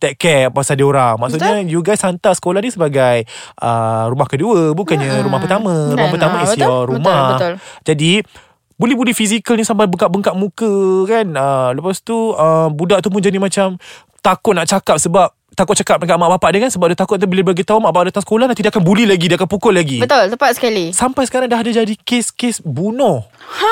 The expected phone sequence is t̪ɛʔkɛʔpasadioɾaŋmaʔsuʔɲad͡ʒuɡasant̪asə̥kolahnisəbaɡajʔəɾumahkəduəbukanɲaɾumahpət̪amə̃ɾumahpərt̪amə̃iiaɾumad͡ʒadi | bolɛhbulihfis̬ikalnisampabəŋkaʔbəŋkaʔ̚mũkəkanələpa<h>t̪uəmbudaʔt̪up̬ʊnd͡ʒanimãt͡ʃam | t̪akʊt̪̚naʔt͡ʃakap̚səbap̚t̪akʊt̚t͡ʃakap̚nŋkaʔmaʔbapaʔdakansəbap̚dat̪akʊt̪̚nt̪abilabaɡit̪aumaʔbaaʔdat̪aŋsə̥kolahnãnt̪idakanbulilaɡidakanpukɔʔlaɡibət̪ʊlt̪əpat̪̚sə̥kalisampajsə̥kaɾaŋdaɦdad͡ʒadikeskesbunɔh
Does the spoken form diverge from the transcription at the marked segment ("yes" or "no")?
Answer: yes